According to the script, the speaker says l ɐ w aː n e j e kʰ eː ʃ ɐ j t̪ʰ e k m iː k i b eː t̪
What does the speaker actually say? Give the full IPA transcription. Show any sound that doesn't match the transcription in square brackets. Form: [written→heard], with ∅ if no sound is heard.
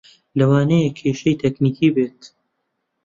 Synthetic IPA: l ɐ w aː n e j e kʰ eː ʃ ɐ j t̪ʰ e k [m→n] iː k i b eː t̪

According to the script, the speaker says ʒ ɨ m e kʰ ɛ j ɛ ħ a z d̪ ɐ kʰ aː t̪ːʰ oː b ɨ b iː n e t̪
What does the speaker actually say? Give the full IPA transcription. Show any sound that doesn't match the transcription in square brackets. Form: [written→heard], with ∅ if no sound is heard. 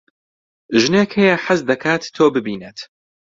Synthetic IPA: ʒ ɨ [m→n] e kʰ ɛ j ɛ ħ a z d̪ ɐ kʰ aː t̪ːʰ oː b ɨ b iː n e t̪

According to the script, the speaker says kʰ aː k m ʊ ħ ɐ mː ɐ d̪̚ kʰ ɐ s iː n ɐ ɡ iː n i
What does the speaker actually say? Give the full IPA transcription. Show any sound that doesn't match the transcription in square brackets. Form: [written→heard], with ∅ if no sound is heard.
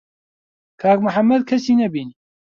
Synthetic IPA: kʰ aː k m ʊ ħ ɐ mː ɐ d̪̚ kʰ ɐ s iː n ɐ [ɡ→b] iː n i

